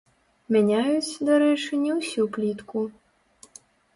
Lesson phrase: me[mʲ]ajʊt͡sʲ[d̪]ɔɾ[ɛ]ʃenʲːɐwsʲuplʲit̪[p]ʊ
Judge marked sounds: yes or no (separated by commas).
no, yes, yes, no